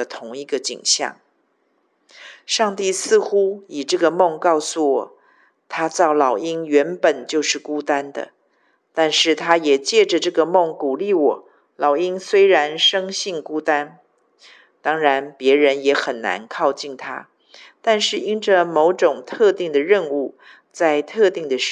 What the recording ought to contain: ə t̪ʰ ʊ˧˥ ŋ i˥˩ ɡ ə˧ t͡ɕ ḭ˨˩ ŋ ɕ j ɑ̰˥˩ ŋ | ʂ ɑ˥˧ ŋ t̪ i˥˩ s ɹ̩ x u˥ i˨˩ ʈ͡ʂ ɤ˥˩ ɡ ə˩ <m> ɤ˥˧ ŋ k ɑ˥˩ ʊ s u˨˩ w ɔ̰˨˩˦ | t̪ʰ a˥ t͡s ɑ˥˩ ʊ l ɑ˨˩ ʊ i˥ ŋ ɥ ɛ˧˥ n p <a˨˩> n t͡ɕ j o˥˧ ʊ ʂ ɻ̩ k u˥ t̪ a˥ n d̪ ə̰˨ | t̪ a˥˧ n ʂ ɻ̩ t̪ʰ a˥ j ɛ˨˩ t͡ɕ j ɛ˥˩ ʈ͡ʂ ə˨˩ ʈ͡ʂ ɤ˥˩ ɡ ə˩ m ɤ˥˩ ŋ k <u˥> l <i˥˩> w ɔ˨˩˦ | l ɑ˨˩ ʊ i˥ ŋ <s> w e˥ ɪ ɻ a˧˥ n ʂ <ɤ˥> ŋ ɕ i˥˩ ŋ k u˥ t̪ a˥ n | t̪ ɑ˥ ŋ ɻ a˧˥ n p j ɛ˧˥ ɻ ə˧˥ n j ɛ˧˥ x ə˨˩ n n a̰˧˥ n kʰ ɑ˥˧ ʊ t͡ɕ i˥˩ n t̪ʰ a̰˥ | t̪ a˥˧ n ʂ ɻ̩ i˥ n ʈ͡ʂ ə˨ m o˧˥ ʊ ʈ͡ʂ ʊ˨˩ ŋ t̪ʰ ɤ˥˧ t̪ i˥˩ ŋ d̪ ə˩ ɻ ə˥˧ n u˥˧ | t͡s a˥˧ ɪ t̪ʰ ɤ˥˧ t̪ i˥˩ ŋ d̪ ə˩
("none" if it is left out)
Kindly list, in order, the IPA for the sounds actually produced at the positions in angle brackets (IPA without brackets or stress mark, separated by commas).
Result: m, ə˨˩, u˨˩, i˥˩, s, ɤ˥